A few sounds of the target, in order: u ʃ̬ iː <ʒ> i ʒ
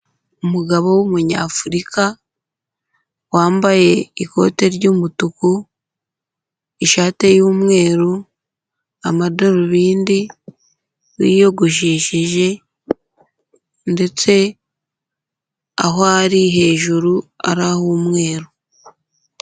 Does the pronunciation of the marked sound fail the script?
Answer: yes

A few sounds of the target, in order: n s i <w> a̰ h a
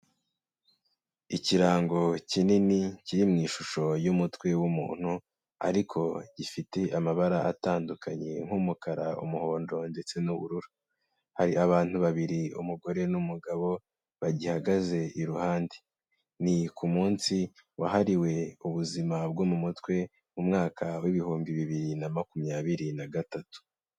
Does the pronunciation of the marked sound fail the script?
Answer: no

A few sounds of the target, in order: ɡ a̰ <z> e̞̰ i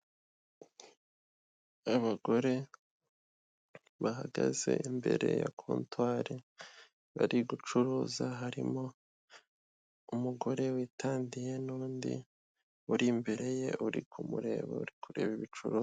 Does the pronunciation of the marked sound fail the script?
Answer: no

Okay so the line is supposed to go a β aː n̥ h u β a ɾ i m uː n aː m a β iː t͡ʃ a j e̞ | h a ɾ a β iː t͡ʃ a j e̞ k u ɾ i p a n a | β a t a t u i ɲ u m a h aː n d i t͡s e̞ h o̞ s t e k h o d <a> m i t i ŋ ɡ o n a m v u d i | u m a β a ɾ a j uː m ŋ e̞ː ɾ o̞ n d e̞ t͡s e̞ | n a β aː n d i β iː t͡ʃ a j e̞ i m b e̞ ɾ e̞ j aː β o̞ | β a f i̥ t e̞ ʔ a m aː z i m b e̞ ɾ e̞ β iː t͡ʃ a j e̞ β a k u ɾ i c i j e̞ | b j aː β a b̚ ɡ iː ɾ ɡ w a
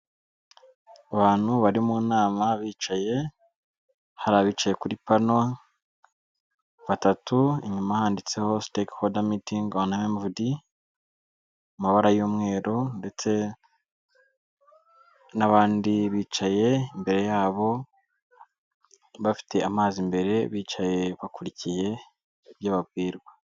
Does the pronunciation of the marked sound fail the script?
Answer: no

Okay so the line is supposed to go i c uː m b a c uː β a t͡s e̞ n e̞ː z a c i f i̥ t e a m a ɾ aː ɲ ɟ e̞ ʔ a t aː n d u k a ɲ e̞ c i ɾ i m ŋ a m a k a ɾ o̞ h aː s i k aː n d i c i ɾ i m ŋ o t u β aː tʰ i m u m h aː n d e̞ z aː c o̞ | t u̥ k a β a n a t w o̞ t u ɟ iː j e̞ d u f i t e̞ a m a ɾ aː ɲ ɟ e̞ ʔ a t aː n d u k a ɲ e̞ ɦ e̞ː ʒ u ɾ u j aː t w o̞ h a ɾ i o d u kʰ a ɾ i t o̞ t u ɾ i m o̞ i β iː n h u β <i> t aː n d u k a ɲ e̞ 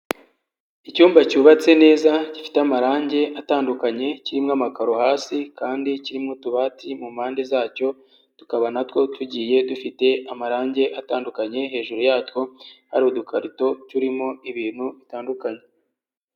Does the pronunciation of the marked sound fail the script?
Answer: no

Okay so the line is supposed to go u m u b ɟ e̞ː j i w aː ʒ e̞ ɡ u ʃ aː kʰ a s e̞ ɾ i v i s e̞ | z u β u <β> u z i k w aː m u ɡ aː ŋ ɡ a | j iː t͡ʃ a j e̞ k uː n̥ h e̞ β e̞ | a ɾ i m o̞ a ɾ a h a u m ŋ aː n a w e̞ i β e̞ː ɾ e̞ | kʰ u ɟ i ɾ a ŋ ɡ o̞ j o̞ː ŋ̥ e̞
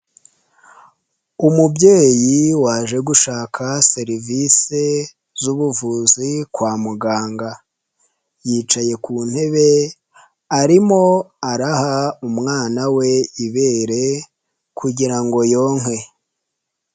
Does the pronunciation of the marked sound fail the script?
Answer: yes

